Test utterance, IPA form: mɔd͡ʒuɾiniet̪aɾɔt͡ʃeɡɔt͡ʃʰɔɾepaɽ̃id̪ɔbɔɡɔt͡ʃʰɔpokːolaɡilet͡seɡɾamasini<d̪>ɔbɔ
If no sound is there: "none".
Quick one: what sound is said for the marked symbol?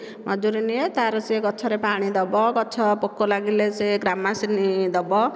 d̪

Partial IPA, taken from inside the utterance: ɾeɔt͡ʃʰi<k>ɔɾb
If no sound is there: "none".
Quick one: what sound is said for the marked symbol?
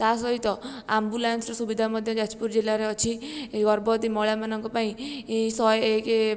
ɡ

